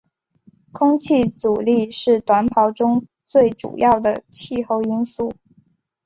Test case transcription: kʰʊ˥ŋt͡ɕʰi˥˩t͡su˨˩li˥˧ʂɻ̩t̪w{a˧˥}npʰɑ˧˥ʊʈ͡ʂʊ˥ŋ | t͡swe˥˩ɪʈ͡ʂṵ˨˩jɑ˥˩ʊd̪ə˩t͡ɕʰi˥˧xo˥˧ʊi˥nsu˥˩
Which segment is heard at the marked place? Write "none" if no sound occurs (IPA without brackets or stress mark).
a˧˥